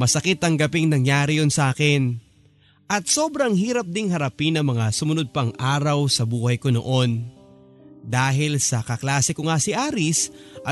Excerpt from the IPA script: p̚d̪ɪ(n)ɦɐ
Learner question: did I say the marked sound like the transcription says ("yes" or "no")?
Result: no